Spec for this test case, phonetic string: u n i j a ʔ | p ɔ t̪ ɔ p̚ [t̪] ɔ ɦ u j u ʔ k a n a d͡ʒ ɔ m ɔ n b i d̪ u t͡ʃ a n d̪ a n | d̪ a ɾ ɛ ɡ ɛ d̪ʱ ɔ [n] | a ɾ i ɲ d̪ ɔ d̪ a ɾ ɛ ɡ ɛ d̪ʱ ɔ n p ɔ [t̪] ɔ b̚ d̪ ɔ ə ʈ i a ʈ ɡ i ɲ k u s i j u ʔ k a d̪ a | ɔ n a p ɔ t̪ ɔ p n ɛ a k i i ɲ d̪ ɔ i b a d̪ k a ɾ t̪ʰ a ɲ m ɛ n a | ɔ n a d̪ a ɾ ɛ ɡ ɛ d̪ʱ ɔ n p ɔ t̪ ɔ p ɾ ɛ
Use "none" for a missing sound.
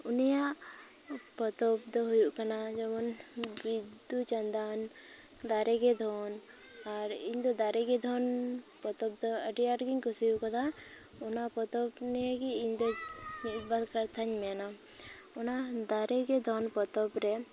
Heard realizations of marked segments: d̪, n, t̪

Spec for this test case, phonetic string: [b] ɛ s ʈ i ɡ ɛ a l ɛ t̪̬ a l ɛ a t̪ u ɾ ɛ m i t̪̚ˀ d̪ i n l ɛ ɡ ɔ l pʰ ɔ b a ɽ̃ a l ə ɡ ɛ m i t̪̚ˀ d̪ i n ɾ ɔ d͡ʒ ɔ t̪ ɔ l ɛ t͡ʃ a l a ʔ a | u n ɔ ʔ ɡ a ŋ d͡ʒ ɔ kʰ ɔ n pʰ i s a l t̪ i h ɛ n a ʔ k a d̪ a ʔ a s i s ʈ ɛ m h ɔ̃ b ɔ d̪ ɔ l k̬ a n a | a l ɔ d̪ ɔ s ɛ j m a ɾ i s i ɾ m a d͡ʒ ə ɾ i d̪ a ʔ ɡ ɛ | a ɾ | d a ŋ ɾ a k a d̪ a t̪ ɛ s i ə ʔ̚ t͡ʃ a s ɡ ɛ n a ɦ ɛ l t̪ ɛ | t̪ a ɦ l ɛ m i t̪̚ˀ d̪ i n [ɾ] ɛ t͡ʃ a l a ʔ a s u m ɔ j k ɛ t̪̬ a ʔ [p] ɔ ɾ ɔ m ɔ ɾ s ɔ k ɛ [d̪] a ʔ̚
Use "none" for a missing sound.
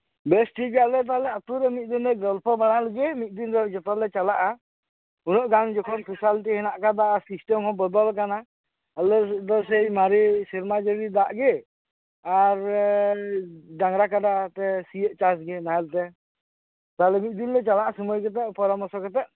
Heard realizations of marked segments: b, l, p, t̪

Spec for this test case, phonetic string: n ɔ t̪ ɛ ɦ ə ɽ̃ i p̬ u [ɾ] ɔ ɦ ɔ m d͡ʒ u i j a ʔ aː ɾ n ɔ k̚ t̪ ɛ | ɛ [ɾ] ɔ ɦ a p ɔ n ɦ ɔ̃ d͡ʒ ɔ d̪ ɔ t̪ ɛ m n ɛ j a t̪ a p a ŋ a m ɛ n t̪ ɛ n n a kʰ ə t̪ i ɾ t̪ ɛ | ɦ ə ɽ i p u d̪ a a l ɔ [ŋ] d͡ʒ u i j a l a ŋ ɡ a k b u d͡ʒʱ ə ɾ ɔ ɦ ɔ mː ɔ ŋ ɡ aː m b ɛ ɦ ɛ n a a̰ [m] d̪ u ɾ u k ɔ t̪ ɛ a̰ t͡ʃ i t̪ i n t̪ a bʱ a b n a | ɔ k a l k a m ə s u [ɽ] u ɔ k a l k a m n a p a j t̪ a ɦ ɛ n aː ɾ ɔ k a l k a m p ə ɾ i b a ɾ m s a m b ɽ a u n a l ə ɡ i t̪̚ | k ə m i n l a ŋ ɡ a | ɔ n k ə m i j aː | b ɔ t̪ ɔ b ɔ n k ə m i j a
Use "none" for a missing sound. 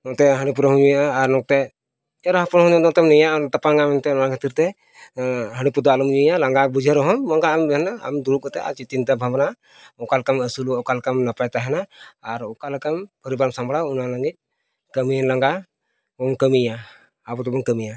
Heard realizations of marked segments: ɾ, ɾ, m, m, l

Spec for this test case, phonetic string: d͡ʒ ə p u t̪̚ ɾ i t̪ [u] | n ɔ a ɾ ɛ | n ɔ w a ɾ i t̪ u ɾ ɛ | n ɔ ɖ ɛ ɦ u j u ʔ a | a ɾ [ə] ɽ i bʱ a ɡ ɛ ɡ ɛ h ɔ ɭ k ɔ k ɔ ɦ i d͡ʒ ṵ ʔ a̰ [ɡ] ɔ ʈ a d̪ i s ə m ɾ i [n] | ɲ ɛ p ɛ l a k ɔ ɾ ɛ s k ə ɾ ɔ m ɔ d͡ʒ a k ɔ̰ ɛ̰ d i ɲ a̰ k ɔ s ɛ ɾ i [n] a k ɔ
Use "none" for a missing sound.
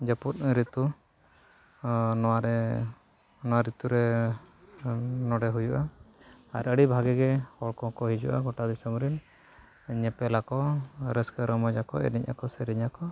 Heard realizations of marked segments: u, ə, ɡ, n, ɲ

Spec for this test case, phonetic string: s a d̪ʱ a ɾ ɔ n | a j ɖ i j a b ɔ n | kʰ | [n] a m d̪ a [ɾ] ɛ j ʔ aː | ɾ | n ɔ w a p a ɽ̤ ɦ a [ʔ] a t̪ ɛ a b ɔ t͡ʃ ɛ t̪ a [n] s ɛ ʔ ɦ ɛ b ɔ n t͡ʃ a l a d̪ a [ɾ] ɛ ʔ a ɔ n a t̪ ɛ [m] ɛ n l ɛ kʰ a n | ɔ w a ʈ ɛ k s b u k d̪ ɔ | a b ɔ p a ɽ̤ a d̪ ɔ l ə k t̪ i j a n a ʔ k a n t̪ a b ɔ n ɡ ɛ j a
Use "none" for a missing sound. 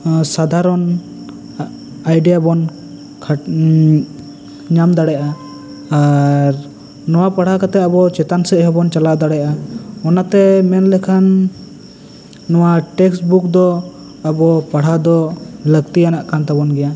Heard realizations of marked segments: ɲ, ɽ, k, n, ɽ, m

